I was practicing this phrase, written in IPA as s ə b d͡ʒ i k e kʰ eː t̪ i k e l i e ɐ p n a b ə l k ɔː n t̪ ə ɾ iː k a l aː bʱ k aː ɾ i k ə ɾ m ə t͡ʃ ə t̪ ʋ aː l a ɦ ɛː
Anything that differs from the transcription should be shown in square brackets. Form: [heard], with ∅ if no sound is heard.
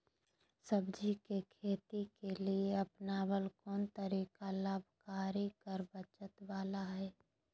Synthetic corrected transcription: s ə b d͡ʒ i k e kʰ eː t̪ i k e l i e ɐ p n a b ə l k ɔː n t̪ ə ɾ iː k a l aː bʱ k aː ɾ i k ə ɾ [b] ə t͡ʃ ə t̪ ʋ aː l a ɦ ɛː